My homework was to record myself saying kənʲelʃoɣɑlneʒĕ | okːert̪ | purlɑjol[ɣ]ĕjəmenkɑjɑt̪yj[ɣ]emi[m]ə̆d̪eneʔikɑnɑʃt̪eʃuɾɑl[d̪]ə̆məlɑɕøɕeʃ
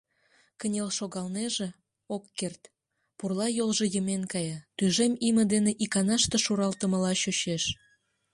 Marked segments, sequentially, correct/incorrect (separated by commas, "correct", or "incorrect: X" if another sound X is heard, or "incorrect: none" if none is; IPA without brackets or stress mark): incorrect: ʒ, incorrect: ʒ, correct, incorrect: t̪